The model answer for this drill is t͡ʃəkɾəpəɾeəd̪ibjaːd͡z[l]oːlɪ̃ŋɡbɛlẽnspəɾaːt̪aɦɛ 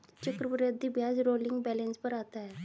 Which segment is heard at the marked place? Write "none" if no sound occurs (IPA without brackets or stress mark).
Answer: ɾ